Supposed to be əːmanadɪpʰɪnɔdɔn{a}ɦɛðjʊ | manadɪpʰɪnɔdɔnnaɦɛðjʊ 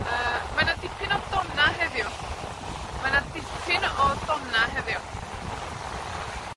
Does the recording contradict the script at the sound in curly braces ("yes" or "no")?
no